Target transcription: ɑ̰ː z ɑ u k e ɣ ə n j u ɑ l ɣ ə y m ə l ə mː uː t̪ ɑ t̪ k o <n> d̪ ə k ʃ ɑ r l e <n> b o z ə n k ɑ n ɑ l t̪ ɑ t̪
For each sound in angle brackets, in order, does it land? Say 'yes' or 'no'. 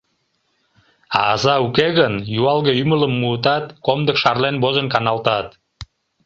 no, yes

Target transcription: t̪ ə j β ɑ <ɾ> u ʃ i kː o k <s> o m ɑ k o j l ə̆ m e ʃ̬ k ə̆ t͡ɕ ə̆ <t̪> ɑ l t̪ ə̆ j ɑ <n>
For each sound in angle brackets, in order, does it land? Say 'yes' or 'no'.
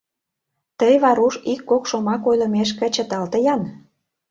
yes, no, yes, yes

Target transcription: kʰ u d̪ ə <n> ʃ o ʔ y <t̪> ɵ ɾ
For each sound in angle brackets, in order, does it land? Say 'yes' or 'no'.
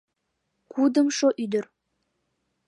no, no

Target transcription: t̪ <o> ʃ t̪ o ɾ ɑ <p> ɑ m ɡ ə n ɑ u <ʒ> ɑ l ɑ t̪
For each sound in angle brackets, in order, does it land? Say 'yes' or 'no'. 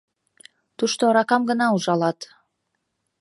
no, no, yes

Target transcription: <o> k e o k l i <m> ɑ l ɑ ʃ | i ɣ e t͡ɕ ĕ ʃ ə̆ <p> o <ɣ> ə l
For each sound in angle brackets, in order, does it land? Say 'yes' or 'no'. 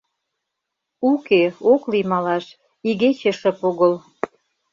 no, yes, yes, yes

